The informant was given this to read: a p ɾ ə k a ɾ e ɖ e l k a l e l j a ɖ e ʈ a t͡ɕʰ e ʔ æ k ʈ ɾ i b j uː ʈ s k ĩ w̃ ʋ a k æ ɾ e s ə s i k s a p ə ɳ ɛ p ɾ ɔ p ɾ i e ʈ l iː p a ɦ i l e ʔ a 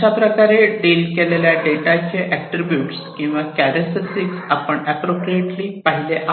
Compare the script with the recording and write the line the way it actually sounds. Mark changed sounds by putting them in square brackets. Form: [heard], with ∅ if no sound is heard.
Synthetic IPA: a p ɾ ə k a ɾ e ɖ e l k [e] l e l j a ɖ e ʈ a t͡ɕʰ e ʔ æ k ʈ ɾ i b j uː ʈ s k ĩ w̃ ʋ a k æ ɾ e s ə s i k s a p ə ɳ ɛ p ɾ [o] p ɾ i e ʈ l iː p a ɦ i l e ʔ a